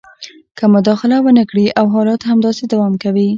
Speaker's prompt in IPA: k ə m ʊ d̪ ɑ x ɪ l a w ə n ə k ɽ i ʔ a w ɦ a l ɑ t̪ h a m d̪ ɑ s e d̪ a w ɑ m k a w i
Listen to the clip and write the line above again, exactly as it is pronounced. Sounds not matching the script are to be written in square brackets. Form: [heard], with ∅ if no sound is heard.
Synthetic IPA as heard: k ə m ʊ d̪ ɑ x ɪ l a w ə n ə k ɽ i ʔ a w ɦ [ɑ] l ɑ t̪ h a m d̪ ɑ s e d̪ a w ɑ m k a w i